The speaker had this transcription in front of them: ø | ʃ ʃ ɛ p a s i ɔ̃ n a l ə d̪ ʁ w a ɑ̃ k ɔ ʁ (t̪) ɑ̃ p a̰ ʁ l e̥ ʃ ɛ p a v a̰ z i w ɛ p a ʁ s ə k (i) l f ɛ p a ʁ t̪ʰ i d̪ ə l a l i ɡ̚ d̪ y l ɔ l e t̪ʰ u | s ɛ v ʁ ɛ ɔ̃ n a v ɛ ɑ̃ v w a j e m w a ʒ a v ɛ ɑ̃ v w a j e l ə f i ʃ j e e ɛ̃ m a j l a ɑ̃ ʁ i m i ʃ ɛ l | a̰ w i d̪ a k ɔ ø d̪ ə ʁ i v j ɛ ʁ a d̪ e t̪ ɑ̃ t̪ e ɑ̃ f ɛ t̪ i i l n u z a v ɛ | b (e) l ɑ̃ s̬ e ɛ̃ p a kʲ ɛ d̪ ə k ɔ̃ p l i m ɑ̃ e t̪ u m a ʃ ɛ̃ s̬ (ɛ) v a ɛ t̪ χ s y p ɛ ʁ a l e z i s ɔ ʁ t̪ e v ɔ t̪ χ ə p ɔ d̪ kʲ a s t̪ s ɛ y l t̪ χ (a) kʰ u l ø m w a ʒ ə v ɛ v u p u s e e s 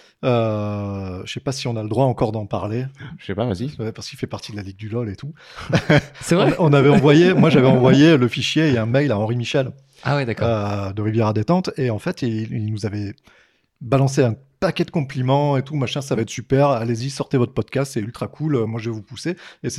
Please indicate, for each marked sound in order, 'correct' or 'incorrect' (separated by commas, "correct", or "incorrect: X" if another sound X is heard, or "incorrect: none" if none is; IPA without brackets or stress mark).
incorrect: d̪, correct, incorrect: a, incorrect: a, correct